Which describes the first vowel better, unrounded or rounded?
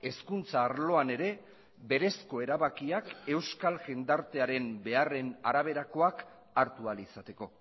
unrounded